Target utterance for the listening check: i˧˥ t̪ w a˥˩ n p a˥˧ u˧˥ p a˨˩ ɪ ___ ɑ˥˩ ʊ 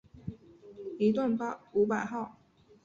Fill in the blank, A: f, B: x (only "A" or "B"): B